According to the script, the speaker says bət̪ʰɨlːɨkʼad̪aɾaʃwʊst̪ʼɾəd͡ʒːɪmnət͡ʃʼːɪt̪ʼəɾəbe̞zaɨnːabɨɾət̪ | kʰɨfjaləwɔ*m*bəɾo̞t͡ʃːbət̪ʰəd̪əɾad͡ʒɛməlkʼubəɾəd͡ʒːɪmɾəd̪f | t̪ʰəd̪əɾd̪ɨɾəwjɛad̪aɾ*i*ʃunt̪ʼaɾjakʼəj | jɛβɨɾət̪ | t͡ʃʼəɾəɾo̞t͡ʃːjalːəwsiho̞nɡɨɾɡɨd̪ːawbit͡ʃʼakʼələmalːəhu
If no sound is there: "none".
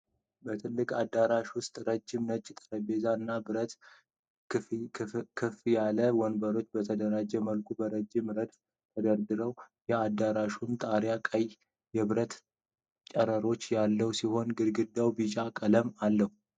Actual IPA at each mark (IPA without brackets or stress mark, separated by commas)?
n, a